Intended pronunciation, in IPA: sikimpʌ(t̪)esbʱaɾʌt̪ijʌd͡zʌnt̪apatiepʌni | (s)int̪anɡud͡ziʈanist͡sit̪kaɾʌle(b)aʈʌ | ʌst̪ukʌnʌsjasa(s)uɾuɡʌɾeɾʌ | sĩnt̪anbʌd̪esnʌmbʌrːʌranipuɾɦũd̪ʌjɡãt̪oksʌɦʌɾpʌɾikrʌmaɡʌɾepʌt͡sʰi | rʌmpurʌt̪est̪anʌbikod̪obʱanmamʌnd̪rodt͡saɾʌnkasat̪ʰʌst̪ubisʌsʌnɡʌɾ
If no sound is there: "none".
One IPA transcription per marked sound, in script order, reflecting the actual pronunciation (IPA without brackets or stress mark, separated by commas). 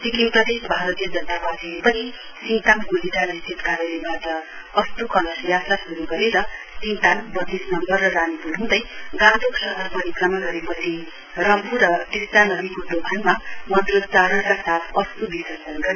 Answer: d̪, s, b, s